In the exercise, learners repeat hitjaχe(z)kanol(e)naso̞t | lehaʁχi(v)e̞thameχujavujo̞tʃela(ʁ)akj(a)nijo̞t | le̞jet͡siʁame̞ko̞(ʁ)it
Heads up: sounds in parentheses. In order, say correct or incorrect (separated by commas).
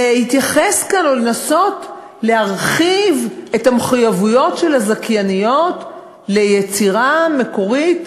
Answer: incorrect, correct, correct, incorrect, correct, correct